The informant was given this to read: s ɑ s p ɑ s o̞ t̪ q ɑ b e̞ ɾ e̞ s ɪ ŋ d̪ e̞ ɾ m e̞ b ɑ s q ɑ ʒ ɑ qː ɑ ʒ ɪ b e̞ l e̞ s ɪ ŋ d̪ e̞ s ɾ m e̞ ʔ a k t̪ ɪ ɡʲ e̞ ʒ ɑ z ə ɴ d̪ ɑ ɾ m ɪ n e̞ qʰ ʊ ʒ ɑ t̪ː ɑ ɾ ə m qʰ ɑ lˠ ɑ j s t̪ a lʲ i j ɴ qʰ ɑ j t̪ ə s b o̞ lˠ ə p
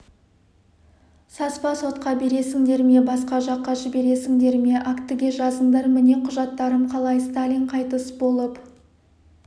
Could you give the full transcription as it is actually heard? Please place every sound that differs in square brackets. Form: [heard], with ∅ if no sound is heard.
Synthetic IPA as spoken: s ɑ s p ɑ s o̞ t̪ q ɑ b e̞ ɾ e̞ s ɪ ŋ d̪ e̞ ɾ m e̞ b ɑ s q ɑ ʒ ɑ qː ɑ ʒ ɪ b e̞ [ɾ] e̞ s ɪ ŋ d̪ e̞ [∅] ɾ m e̞ ʔ a k t̪ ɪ ɡʲ e̞ ʒ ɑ z ə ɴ d̪ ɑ ɾ m ɪ n e̞ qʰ ʊ ʒ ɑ t̪ː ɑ ɾ ə m qʰ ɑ lˠ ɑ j s t̪ a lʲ i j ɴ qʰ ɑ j t̪ ə s b o̞ lˠ ə p

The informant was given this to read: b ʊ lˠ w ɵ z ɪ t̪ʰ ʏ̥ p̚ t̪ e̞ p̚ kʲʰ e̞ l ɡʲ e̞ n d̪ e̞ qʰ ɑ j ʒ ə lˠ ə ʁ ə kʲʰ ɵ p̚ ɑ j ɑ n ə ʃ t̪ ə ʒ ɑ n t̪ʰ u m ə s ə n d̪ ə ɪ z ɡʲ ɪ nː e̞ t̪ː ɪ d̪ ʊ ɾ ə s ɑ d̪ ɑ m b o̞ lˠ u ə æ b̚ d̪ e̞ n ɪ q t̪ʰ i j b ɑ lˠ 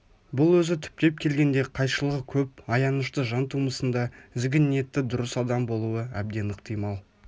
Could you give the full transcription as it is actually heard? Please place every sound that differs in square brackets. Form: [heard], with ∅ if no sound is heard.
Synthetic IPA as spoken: b ʊ lˠ w ɵ z ɪ t̪ʰ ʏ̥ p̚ t̪ e̞ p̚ kʲʰ e̞ l ɡʲ e̞ n d̪ e̞ qʰ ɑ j [ʃ] ə lˠ ə ʁ ə kʲʰ ɵ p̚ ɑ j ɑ n ə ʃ t̪ ə ʒ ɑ n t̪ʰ u m ə s ə n d̪ [ɑ] ɪ z ɡʲ ɪ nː e̞ t̪ː ɪ d̪ ʊ ɾ ə s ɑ d̪ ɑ m b o̞ lˠ u ə æ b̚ d̪ e̞ n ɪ q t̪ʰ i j [m] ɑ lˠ

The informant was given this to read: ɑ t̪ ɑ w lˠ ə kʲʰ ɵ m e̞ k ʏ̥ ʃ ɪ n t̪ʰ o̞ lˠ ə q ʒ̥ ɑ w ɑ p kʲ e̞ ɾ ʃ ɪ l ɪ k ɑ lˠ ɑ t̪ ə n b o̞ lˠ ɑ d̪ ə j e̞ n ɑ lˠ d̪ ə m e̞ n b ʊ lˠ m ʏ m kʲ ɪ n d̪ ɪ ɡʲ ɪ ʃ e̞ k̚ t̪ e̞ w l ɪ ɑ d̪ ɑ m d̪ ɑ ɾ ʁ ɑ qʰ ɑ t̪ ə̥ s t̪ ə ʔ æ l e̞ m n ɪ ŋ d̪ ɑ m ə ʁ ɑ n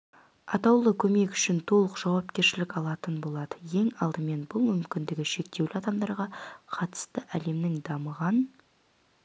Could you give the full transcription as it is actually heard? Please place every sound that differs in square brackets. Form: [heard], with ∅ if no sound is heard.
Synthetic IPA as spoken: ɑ t̪ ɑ w lˠ ə kʲʰ ɵ m e̞ k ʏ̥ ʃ ɪ n t̪ʰ o̞ lˠ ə q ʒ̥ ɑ w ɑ p kʲ e̞ ɾ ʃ ɪ l ɪ k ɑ lˠ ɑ t̪ ə n b o̞ lˠ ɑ d̪ ə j e̞ [ŋ] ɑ lˠ d̪ ə m e̞ n b ʊ lˠ m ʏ m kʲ ɪ n d̪ ɪ ɡʲ ɪ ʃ e̞ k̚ t̪ e̞ w l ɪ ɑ d̪ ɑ m d̪ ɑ ɾ ʁ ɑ qʰ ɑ t̪ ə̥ s t̪ ə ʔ æ l e̞ m n ɪ ŋ d̪ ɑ m ə ʁ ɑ n

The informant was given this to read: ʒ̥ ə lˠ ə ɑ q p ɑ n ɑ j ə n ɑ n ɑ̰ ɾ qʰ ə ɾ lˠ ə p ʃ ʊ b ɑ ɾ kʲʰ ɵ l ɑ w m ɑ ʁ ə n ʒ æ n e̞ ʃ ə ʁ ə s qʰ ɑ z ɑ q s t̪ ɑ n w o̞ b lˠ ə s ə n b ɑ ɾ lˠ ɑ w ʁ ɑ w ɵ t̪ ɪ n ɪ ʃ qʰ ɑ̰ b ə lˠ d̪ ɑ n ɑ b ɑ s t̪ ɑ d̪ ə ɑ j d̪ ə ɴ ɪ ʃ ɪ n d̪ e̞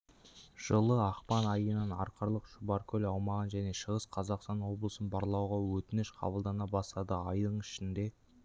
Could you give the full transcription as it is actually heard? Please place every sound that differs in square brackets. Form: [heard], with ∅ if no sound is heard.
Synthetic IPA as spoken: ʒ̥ ə lˠ ə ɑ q p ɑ n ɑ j ə n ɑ n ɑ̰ ɾ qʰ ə ɾ lˠ ə [q] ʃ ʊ b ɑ ɾ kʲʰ ɵ l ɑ w m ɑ ʁ ə n ʒ æ n e̞ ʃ ə ʁ ə s qʰ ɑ z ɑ q s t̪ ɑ n w o̞ b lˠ ə s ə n b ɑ ɾ lˠ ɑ w ʁ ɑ w ɵ t̪ ɪ n ɪ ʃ qʰ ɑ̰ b ə lˠ d̪ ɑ n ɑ b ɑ s t̪ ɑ d̪ ə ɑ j d̪ ə ɴ ɪ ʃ ɪ n d̪ e̞

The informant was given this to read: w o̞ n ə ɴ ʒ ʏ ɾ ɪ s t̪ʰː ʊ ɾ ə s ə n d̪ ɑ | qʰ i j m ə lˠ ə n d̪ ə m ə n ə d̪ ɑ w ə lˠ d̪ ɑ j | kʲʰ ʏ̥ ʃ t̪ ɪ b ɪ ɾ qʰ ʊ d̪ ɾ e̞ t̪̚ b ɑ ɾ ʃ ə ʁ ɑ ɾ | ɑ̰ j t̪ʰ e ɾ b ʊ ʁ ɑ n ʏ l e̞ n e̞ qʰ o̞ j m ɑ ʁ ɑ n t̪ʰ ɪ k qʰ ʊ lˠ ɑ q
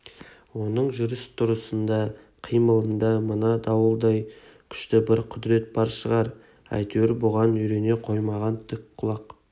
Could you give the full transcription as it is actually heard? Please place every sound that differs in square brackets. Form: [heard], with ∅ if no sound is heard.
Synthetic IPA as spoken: w o̞ n ə ɴ ʒ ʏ ɾ ɪ s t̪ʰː ʊ ɾ ə s ə n d̪ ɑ | qʰ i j m ə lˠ ə n d̪ [ɑ] m ə n [ɑ] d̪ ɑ w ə lˠ d̪ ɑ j | kʲʰ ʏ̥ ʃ t̪ ɪ b ɪ ɾ qʰ ʊ d̪ ɾ e̞ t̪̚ b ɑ ɾ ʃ ə ʁ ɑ ɾ | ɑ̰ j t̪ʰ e ɾ b ʊ ʁ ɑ n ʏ [ɾ] e̞ n e̞ qʰ o̞ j m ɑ ʁ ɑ n t̪ʰ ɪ k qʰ ʊ lˠ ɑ q

